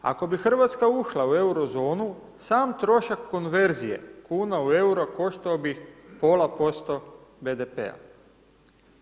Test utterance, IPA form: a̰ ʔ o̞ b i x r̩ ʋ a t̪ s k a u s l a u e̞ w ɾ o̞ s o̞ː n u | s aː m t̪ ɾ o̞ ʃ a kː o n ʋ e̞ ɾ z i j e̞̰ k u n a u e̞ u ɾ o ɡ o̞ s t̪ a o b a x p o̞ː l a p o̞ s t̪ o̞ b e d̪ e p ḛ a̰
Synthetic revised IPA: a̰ k o̞ b i x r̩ ʋ a t̪ s k a u ʃ l a u e̞ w ɾ o̞ z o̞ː n u | s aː m t̪ ɾ o̞ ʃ a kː o n ʋ e̞ ɾ z i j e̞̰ k uː n a u e̞ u ɾ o k o̞ ʃ t̪ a o b i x p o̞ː l a p o̞ s t̪ o̞ b e d̪ e p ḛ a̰